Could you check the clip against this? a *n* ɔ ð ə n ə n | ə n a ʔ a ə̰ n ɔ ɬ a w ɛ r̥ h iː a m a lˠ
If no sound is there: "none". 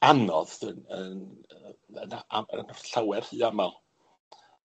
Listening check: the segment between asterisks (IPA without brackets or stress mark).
n